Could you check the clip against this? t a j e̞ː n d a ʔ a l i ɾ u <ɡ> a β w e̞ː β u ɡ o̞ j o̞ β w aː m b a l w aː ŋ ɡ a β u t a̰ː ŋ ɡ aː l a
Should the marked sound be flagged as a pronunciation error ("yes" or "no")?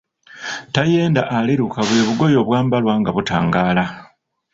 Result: yes